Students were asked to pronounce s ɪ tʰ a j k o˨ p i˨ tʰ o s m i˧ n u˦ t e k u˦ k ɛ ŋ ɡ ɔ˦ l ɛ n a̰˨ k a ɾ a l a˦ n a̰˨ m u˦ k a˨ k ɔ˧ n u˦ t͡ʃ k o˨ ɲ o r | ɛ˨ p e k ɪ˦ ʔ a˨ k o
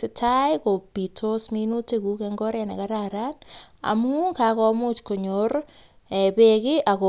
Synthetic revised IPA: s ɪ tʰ a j k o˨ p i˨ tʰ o s m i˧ n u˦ t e k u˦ k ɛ ŋ ɡ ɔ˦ ɾ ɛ n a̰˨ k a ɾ a ɾ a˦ n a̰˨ m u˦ k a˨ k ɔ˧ m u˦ t͡ʃ k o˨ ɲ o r | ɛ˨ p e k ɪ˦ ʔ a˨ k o